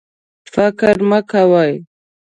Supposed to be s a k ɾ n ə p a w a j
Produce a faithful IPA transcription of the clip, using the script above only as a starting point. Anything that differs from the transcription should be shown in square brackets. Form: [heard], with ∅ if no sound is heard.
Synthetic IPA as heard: [f] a k ɾ [m] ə [k] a w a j